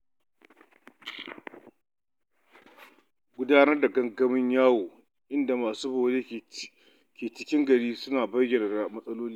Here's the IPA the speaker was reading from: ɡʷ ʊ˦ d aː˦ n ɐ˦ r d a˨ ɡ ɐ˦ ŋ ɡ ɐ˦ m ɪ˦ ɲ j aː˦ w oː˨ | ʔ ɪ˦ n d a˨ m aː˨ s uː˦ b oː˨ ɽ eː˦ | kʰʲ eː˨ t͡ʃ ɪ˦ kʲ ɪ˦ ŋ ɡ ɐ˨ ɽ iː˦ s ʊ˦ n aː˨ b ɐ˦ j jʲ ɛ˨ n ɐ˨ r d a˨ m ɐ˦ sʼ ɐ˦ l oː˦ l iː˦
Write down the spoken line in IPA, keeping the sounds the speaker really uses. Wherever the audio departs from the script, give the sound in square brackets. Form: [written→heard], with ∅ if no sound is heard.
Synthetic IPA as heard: ɡʷ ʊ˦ d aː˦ n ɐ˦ r d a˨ ɡ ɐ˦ ŋ ɡ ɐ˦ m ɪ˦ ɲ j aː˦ w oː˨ | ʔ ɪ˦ n d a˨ m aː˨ s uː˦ b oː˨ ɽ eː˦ | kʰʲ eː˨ t͡ʃ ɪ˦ kʲ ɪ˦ ŋ ɡ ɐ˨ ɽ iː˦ s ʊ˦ n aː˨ b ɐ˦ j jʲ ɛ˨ n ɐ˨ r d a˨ m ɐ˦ sʼ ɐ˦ l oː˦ l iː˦